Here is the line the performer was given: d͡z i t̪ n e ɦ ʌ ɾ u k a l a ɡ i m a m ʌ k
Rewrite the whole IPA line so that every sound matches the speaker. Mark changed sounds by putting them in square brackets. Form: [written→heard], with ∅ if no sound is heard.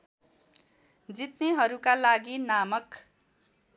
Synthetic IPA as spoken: d͡z i t̪ n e ɦ ʌ ɾ u k a l a ɡ i [m→n] a m ʌ k